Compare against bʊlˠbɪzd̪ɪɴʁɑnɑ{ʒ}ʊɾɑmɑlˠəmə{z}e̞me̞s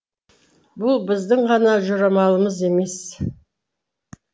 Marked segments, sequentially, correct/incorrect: correct, correct

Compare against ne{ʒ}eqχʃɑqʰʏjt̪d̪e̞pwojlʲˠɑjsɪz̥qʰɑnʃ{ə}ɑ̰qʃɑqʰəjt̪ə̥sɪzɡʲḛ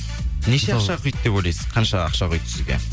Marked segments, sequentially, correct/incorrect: incorrect: ʃ, incorrect: ɑ

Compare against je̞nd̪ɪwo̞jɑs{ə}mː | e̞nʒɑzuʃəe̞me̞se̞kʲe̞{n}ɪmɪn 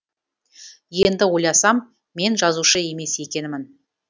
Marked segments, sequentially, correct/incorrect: incorrect: ɑ, correct

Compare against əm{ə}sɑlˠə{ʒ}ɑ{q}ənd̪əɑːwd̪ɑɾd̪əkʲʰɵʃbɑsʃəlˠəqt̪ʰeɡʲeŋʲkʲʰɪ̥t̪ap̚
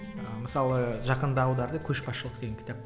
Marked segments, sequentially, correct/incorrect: correct, correct, correct

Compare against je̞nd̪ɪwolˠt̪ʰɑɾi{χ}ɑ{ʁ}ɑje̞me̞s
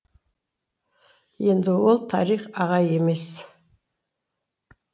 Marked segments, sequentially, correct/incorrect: correct, correct

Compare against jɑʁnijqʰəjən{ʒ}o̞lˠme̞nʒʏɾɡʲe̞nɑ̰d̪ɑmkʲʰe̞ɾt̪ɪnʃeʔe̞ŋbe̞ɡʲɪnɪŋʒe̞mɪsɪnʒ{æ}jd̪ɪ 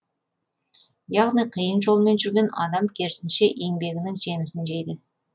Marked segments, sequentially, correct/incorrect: correct, incorrect: e

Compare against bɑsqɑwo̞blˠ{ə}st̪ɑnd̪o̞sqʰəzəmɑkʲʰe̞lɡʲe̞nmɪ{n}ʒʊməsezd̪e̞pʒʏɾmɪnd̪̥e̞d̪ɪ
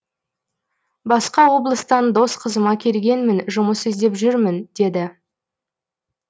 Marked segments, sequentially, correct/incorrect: correct, correct

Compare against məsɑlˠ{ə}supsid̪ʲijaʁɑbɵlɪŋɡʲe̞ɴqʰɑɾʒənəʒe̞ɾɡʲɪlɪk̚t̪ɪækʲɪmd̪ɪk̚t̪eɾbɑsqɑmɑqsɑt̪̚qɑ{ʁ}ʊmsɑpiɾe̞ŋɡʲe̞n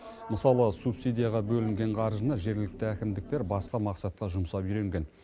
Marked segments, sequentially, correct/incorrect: correct, incorrect: ʒ

